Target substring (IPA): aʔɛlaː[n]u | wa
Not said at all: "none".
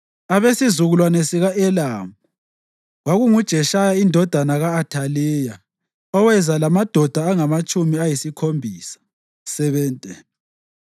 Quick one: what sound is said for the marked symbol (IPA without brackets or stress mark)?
m